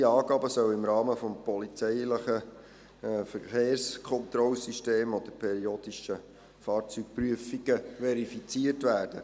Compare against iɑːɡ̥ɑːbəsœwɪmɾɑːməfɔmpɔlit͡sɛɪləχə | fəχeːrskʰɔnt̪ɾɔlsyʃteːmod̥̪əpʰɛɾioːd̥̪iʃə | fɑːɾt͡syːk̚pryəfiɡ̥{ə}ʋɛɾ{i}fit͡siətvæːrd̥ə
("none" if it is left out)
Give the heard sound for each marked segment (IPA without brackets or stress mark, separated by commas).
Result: ə, i